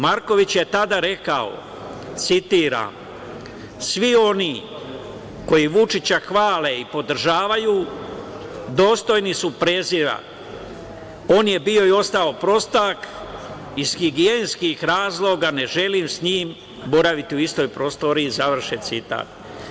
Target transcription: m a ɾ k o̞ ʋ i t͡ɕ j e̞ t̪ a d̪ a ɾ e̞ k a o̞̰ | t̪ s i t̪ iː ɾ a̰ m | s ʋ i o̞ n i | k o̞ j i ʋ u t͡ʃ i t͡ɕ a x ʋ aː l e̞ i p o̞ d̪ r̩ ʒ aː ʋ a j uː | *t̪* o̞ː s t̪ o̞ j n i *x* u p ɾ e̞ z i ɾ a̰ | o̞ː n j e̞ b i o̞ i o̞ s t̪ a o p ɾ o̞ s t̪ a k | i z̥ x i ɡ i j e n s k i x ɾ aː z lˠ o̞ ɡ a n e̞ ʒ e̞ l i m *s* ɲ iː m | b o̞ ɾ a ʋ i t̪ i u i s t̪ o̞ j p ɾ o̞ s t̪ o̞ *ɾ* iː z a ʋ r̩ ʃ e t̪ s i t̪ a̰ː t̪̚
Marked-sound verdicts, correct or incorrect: incorrect: d̪, incorrect: s, correct, correct

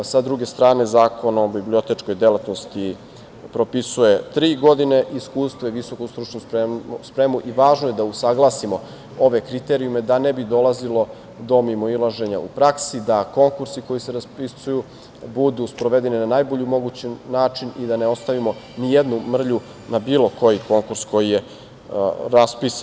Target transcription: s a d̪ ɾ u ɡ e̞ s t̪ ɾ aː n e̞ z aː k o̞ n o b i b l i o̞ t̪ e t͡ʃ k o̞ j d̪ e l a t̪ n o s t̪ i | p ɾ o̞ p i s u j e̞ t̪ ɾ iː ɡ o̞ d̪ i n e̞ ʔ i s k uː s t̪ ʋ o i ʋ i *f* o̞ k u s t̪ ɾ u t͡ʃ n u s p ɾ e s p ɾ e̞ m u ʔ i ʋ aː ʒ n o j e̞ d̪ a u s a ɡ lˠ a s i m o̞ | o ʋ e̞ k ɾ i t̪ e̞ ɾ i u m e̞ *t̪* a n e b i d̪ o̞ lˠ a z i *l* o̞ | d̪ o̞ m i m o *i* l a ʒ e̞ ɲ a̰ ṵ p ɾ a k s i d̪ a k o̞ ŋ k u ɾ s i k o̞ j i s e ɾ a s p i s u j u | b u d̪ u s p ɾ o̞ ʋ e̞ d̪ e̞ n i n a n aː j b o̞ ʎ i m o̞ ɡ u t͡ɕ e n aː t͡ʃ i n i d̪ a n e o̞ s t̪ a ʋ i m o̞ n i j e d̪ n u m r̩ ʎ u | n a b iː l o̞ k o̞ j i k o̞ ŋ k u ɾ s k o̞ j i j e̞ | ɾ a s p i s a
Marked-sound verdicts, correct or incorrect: incorrect: s, incorrect: d̪, correct, correct

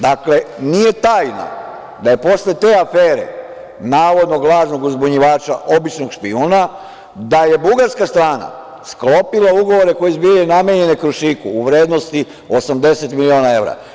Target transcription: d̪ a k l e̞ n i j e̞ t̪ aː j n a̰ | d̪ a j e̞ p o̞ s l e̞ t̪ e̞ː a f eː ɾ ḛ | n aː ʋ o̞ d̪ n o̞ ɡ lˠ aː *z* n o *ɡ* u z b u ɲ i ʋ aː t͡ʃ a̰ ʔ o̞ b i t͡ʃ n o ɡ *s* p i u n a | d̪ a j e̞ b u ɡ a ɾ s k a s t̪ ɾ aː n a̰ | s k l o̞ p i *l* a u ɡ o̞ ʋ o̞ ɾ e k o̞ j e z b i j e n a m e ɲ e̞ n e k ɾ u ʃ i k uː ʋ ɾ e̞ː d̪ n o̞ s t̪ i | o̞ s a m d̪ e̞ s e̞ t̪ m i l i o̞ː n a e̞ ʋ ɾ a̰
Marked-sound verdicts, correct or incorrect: incorrect: ʒ, correct, incorrect: ʃ, correct

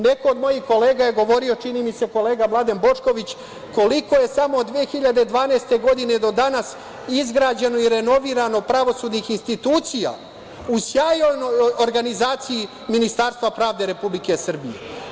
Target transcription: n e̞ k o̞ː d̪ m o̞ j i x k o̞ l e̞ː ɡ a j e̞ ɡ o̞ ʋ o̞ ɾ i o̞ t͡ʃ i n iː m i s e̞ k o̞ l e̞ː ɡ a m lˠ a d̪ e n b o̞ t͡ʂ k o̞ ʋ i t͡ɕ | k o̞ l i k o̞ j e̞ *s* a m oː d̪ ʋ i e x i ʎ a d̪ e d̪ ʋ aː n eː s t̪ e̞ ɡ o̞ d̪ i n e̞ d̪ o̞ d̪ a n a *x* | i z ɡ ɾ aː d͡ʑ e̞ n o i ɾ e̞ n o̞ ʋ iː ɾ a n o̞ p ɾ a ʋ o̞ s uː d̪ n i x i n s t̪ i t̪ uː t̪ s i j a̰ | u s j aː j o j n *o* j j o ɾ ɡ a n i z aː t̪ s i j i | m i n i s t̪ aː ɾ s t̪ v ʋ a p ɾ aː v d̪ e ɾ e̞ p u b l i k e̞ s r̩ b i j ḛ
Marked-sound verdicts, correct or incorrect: correct, incorrect: s, correct

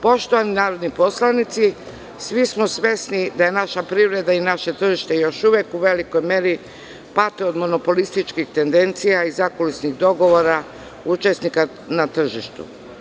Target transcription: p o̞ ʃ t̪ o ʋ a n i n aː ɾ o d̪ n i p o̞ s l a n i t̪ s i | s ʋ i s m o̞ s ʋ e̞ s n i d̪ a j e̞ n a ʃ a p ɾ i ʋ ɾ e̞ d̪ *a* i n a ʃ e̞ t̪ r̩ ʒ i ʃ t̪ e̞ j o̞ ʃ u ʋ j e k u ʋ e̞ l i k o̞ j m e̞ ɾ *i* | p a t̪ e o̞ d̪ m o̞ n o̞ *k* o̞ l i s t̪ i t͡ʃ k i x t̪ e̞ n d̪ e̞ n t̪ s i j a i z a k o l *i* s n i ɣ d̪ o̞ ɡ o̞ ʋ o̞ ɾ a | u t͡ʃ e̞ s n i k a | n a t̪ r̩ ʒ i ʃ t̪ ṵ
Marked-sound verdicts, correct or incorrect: correct, correct, incorrect: p, correct

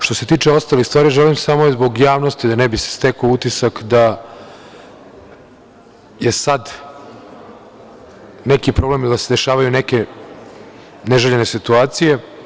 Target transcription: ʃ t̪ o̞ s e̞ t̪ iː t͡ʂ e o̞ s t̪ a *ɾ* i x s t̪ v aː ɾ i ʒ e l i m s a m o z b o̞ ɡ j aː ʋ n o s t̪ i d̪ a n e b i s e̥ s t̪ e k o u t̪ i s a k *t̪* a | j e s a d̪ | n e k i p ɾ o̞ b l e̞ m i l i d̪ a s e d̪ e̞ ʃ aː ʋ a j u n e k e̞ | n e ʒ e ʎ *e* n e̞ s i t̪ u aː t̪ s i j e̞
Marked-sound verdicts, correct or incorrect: incorrect: l, incorrect: d̪, correct

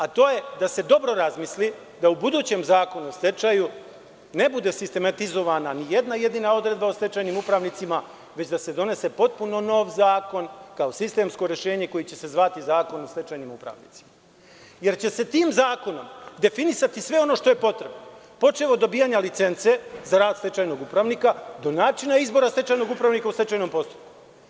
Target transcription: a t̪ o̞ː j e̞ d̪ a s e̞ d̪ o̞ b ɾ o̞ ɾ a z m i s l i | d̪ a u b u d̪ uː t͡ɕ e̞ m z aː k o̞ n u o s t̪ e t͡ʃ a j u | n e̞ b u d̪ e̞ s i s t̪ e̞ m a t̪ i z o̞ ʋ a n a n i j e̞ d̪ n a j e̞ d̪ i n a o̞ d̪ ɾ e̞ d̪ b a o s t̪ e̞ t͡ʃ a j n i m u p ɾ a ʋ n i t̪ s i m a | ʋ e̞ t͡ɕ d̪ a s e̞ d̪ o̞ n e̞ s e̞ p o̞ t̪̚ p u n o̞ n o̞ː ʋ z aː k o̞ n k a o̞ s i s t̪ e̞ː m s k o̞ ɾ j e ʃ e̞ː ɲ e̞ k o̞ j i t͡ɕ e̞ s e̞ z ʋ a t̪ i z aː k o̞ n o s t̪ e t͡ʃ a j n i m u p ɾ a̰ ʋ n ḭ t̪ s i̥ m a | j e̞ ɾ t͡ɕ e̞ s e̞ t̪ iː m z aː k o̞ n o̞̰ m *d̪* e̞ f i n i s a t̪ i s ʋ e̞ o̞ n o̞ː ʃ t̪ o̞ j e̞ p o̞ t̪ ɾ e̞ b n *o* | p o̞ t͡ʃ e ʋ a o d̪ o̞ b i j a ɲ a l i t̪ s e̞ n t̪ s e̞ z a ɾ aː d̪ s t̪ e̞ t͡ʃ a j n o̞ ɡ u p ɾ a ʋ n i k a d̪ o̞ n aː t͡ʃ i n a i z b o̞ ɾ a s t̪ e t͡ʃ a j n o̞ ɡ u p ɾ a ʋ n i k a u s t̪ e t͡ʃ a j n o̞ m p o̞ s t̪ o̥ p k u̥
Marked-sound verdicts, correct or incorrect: correct, correct

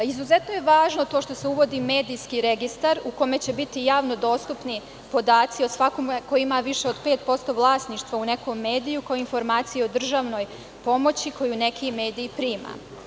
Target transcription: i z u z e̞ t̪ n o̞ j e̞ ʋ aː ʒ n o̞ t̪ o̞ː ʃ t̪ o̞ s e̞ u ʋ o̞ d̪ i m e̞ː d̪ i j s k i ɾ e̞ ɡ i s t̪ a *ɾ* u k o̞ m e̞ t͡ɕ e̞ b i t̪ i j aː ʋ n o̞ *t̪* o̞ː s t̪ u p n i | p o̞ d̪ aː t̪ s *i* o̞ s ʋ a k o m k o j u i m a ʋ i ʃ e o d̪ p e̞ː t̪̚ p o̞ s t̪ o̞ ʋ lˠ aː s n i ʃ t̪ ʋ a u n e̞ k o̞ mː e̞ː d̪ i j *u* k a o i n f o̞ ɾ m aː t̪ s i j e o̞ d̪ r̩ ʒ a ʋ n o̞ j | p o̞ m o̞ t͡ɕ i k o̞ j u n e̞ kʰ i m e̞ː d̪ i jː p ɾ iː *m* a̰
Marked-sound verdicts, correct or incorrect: correct, incorrect: d̪, correct, correct, correct

